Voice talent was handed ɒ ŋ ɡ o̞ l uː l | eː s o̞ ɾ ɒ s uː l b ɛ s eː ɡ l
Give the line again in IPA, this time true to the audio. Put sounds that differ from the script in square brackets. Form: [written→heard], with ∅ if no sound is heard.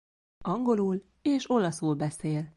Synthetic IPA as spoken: ɒ ŋ ɡ o̞ l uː l | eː [s→ʃ] o̞ [ɾ→l] ɒ s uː l b ɛ s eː [ɡ→∅] l